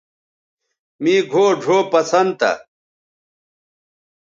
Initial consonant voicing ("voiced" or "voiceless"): voiced